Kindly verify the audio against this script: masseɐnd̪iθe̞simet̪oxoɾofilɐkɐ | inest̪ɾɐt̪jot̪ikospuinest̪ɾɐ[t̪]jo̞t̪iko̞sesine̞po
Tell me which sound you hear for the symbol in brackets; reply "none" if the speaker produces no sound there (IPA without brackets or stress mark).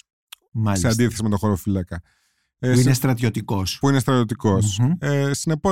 t̪